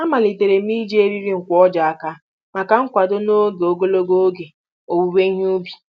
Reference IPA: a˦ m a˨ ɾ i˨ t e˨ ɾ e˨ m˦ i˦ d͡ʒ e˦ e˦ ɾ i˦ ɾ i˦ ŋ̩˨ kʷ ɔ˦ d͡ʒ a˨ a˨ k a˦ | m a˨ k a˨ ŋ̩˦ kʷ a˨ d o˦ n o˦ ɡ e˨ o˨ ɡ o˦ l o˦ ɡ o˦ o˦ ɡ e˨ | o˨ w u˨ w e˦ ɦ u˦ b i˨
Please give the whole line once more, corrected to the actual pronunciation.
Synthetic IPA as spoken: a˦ m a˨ l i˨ t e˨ ɾ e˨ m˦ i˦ d͡ʒ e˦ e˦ ɾ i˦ ɾ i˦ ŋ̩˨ kʷ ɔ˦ d͡ʒ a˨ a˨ k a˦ | m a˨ k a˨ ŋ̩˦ kʷ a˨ d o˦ n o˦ ɡ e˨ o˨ ɡ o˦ l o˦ ɡ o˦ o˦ ɡ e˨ | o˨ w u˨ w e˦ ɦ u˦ b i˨